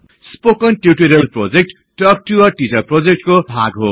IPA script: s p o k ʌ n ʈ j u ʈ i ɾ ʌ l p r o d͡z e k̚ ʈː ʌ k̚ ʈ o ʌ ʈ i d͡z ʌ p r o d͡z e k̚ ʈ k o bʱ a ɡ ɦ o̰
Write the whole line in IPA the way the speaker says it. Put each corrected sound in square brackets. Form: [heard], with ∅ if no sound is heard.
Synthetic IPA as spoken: s p o k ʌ n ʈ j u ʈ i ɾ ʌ l p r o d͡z e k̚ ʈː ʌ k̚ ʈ [u] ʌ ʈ i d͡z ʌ p r o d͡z e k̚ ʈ k o bʱ a ɡ ɦ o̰